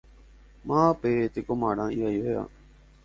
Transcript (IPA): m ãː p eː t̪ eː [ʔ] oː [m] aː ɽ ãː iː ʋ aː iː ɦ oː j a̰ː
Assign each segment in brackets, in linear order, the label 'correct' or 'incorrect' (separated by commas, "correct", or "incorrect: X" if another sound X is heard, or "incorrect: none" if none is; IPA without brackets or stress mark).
incorrect: k, correct